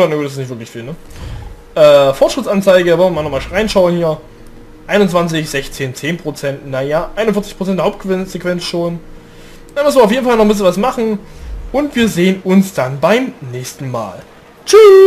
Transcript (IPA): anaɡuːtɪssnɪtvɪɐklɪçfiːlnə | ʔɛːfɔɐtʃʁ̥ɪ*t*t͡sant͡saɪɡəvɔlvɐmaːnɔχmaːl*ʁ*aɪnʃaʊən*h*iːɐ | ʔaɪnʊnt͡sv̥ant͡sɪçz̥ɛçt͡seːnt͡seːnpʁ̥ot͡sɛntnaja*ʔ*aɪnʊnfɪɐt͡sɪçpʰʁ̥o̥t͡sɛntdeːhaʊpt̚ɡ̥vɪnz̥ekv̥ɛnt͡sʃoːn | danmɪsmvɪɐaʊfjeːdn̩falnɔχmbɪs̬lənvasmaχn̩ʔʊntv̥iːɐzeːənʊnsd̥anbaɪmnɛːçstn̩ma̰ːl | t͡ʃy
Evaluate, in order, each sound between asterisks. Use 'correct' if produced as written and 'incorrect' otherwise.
correct, correct, correct, correct

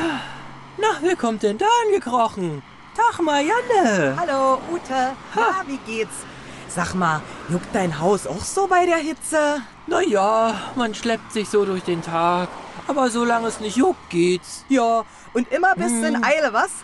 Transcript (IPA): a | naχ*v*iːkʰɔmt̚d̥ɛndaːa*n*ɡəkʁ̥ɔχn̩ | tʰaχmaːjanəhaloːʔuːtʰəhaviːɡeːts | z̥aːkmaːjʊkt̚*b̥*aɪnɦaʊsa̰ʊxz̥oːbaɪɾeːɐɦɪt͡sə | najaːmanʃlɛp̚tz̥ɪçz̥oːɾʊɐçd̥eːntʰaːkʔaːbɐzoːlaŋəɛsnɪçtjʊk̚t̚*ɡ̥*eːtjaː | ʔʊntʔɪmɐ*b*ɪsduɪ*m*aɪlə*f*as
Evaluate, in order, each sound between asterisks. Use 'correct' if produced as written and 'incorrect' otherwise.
correct, correct, incorrect: d̥, correct, correct, incorrect: n, incorrect: v

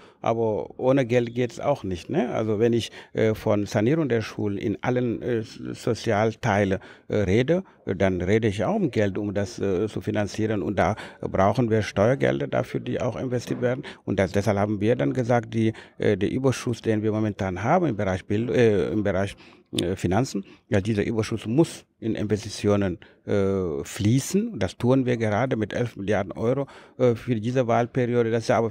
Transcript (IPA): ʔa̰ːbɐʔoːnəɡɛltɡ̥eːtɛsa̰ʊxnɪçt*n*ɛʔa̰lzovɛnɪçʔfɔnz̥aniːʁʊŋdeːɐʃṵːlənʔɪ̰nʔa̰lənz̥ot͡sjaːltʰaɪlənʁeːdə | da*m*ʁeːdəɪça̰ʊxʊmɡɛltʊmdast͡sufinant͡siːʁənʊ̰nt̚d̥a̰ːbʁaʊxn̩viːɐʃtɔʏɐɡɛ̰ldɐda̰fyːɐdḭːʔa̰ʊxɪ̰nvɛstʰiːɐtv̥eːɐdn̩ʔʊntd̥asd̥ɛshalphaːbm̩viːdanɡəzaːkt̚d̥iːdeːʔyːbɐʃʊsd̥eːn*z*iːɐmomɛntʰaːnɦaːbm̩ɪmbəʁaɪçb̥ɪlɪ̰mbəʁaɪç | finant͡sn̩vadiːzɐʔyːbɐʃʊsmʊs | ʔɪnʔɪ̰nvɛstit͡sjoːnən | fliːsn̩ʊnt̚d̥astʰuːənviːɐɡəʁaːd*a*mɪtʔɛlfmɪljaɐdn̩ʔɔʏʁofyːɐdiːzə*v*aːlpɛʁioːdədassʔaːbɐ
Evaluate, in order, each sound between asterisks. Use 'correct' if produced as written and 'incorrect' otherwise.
correct, incorrect: n, incorrect: v, incorrect: ə, correct

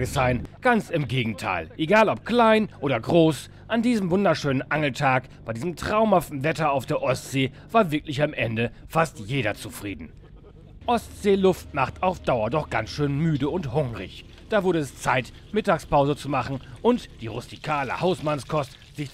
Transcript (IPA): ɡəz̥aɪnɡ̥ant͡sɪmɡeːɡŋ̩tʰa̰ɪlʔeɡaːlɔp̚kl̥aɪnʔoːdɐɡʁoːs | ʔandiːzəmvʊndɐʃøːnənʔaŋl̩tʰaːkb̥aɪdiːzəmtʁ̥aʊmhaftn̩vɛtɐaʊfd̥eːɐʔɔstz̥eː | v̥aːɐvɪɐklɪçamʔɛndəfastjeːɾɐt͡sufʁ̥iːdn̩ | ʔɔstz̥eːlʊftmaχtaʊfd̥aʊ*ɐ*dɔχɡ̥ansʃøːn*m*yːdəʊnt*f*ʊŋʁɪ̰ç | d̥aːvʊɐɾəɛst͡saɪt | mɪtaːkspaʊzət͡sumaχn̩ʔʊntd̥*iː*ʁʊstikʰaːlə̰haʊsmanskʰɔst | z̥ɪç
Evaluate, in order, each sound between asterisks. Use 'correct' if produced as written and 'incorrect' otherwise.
correct, correct, incorrect: h, correct

